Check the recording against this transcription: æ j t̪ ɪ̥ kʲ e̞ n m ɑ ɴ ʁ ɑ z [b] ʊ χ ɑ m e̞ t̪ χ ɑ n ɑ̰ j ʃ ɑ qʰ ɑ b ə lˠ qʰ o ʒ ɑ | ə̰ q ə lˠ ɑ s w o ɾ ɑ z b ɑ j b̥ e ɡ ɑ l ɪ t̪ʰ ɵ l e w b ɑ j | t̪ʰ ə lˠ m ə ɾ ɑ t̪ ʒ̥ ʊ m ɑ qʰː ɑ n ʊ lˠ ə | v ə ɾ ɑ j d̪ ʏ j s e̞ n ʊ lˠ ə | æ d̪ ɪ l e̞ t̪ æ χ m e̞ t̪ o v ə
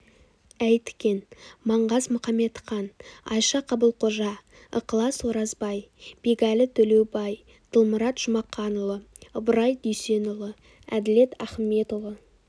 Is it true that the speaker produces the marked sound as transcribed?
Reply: no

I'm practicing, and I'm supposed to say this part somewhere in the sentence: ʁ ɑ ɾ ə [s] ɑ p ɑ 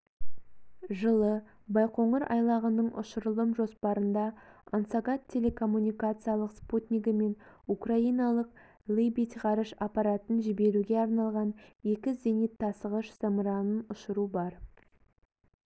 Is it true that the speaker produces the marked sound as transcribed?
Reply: no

